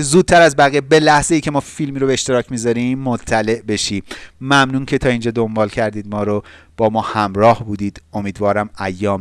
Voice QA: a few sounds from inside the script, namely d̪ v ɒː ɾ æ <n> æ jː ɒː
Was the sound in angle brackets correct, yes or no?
no